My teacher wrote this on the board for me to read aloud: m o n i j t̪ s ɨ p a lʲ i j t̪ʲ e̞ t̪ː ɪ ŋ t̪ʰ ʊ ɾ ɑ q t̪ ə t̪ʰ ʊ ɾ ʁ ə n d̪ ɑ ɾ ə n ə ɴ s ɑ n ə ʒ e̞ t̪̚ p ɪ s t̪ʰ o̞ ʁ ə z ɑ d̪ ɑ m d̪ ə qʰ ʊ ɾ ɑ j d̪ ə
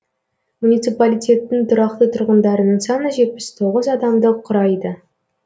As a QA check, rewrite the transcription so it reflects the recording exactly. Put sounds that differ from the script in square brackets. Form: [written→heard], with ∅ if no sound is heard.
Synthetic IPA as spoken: m [o→u] n i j t̪ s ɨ p a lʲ i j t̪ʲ e̞ t̪ː ɪ ŋ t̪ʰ ʊ ɾ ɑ q t̪ ə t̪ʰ ʊ ɾ ʁ ə n d̪ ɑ ɾ ə n ə ɴ s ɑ n ə ʒ e̞ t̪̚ p ɪ s t̪ʰ o̞ ʁ ə z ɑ d̪ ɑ m d̪ ə qʰ ʊ ɾ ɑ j d̪ ə

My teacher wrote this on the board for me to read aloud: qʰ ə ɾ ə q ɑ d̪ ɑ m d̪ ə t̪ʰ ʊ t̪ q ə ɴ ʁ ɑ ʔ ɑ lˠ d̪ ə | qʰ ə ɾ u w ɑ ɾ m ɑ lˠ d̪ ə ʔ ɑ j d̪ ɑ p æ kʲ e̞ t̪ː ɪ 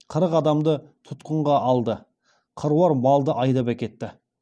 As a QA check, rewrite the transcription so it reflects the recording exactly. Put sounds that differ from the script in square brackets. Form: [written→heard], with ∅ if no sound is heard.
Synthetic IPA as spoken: qʰ ə ɾ ə q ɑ d̪ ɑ m d̪ ə t̪ʰ ʊ t̪ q ə ɴ ʁ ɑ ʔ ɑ lˠ d̪ ə | qʰ ə ɾ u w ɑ ɾ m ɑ lˠ d̪ ə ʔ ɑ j d̪ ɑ p æ kʲ e̞ t̪ː ɪ

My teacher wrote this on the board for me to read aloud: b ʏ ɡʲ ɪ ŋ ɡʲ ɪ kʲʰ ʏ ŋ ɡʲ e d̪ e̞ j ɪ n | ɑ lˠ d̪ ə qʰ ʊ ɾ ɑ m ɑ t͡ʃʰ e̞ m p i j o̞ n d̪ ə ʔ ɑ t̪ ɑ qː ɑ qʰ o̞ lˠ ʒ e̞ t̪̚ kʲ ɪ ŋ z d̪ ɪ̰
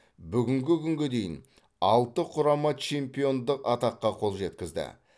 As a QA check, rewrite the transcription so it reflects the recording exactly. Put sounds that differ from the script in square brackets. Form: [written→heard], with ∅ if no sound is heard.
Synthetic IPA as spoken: b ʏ ɡʲ ɪ ŋ ɡʲ ɪ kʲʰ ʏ ŋ ɡʲ e d̪ e̞ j ɪ n | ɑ lˠ [d̪→t̪] ə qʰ ʊ ɾ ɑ m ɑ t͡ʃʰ e̞ m p i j o̞ n d̪ ə [ʔ→q] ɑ t̪ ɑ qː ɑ qʰ o̞ lˠ ʒ e̞ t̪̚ kʲ ɪ [ŋ→∅] z d̪ ɪ̰

